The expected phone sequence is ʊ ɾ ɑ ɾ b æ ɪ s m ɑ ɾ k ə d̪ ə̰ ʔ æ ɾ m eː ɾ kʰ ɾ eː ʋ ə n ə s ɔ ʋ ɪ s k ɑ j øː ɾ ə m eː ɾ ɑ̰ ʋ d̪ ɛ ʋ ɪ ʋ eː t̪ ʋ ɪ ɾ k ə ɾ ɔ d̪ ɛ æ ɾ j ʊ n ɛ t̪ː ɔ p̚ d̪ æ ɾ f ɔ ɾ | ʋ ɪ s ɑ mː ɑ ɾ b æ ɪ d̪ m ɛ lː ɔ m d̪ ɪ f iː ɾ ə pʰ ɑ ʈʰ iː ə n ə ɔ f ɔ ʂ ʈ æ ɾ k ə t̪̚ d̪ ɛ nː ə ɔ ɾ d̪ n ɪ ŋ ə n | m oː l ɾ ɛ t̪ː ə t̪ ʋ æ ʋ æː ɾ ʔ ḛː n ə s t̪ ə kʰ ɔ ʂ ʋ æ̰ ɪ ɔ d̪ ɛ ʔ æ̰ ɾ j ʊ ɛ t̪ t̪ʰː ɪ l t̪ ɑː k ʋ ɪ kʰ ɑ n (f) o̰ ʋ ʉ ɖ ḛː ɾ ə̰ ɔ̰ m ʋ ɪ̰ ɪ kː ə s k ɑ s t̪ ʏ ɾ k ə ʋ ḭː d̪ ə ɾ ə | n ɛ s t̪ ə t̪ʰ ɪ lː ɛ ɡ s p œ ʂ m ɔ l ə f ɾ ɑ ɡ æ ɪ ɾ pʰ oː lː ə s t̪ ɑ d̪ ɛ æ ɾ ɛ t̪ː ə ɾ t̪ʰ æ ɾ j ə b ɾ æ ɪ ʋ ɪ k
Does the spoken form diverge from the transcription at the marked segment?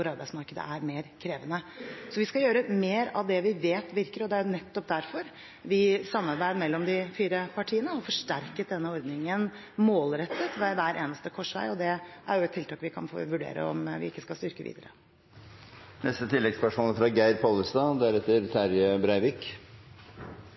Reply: no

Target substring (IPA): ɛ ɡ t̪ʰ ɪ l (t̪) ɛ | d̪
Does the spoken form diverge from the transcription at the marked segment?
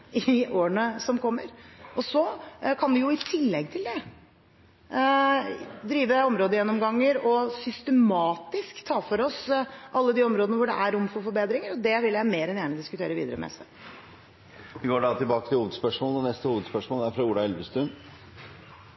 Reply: yes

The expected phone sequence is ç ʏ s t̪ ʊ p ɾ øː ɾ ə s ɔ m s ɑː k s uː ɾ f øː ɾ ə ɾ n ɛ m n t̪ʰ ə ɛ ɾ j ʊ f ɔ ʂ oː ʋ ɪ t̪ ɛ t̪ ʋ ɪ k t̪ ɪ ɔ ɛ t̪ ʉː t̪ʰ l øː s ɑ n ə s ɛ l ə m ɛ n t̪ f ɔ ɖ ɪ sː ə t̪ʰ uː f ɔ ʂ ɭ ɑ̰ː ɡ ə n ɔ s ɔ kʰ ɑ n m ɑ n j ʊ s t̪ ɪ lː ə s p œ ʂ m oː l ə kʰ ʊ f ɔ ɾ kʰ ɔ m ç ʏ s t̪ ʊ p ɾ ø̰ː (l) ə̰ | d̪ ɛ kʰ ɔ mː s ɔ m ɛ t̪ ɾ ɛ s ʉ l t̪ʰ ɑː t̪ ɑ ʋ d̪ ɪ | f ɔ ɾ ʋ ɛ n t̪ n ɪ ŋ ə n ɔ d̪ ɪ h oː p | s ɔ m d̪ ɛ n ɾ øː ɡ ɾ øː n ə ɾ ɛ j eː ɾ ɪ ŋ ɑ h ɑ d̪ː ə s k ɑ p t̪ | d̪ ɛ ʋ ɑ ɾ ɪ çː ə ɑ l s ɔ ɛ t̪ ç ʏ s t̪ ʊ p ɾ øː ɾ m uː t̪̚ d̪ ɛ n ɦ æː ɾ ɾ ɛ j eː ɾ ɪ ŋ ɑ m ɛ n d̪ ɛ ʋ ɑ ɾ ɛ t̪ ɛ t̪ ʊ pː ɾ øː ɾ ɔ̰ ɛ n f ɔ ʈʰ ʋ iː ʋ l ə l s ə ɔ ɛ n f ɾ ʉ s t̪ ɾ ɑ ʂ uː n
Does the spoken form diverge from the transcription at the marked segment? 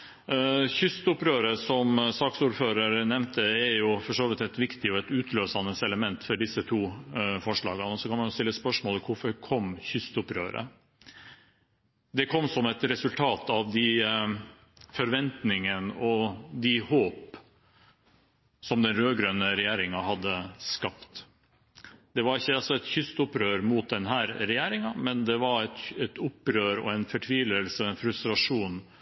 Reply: yes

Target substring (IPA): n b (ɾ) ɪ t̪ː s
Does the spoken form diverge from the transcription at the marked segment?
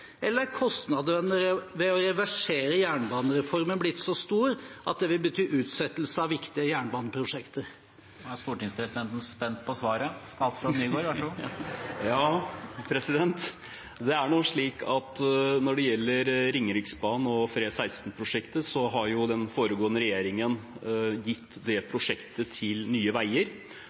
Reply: yes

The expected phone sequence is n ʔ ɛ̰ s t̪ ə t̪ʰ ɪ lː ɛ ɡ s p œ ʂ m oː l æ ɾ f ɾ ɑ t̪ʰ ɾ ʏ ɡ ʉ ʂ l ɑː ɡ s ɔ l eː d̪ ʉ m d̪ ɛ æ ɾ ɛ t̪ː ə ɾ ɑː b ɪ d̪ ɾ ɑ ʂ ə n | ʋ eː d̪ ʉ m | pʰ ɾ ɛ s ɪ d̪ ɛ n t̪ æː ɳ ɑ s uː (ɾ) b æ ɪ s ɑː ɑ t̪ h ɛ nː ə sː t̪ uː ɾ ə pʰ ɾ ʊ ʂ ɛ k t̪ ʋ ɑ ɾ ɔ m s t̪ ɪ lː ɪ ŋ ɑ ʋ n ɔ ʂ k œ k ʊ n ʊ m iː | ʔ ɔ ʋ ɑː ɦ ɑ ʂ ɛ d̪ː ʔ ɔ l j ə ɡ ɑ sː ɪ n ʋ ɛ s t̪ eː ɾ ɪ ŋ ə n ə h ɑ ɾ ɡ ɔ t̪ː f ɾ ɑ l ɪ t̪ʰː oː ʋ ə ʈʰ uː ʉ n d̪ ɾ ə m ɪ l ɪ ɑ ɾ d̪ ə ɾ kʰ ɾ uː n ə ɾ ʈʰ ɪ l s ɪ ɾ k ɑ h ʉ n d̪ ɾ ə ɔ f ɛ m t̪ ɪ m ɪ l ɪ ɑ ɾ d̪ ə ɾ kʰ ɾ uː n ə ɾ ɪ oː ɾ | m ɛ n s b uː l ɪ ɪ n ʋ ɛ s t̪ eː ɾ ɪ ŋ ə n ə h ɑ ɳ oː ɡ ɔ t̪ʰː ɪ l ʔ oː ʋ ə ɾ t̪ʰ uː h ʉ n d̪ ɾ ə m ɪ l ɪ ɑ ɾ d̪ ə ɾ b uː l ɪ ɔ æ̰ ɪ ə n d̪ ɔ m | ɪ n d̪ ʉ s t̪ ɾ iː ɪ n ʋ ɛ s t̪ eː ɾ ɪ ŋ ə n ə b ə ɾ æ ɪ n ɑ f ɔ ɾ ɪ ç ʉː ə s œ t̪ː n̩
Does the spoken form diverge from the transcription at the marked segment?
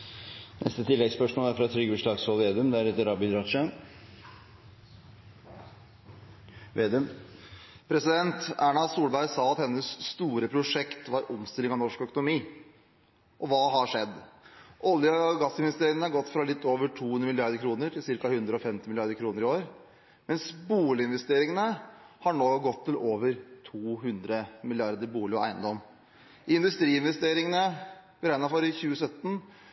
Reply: yes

